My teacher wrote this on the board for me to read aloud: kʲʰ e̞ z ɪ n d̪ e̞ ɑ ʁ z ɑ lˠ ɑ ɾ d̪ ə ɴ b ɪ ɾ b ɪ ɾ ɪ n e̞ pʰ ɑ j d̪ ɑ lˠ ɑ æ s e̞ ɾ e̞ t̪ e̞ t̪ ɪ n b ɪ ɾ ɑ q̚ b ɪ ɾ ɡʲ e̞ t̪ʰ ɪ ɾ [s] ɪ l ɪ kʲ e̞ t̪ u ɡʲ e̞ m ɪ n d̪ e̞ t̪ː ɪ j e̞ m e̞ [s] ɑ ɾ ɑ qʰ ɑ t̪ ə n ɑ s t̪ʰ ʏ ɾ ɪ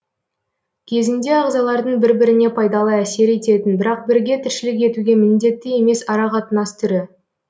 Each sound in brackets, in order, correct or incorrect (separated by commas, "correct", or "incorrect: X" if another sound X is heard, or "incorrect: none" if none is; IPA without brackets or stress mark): incorrect: ʃ, correct